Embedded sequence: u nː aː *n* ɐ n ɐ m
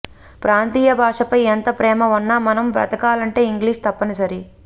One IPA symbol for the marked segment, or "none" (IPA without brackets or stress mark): m